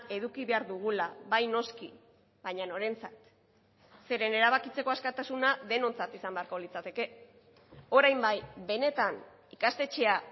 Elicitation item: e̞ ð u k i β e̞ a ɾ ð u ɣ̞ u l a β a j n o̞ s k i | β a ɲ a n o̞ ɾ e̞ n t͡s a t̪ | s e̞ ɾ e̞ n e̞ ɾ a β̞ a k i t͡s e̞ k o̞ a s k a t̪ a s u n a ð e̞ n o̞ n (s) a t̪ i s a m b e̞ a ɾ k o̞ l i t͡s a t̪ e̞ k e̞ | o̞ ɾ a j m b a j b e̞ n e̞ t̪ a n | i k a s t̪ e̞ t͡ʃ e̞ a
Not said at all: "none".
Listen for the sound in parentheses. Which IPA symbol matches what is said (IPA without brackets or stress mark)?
t͡s